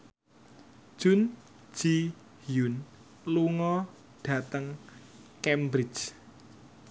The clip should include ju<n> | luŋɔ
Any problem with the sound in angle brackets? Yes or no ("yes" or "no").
no